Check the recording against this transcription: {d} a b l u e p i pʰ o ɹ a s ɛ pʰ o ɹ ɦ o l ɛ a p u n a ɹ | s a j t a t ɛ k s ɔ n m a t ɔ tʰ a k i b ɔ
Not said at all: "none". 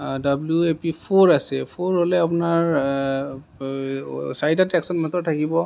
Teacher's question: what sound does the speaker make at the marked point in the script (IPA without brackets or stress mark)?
d